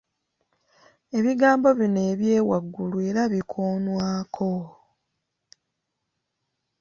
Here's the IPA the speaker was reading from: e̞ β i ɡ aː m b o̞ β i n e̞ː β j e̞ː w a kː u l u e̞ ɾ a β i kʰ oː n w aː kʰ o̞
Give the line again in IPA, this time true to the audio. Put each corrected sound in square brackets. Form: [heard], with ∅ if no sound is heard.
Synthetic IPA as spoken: e̞ β i ɡ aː m b o̞ β i n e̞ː β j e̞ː w a [ɡː] u l u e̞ ɾ a β i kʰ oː n w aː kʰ o̞